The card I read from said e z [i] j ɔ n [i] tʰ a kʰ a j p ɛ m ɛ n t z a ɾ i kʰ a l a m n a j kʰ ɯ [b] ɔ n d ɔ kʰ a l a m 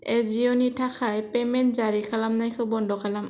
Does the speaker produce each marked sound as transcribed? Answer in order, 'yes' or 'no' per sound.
yes, yes, yes

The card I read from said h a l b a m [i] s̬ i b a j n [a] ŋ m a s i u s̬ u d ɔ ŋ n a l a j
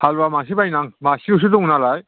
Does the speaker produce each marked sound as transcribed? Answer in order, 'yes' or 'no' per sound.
no, yes

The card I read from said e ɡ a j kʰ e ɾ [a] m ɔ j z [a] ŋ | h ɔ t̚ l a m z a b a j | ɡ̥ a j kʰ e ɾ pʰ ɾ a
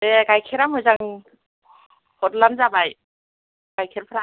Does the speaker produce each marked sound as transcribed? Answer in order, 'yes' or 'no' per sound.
yes, yes

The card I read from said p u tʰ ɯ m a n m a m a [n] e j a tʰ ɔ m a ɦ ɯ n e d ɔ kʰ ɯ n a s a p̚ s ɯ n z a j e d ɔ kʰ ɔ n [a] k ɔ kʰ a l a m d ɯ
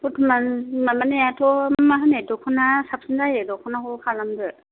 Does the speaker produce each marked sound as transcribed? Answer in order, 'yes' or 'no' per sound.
yes, yes

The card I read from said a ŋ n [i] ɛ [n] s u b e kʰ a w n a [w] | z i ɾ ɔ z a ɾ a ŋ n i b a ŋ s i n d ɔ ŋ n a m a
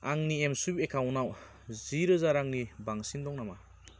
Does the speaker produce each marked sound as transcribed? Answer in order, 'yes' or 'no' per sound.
yes, no, yes

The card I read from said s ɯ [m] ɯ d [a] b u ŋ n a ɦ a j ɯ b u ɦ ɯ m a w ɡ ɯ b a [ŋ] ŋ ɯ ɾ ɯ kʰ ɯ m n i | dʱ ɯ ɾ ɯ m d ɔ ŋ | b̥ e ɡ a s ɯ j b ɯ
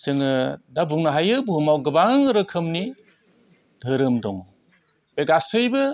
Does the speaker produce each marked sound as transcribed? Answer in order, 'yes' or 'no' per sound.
no, yes, yes

